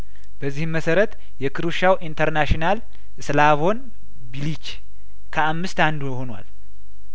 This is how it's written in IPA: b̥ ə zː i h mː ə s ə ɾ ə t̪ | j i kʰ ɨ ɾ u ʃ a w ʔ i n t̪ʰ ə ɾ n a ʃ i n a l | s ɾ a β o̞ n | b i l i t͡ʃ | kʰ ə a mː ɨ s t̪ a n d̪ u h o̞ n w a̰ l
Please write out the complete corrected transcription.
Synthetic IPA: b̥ ə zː i h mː ə s ə ɾ ə t̪ | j ɛ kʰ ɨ ɾ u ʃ a w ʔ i n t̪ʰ ə ɾ n a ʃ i n a l | s l a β o̞ n | b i l i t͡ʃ | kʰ ə a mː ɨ s t̪ a n d̪ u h o̞ n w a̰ l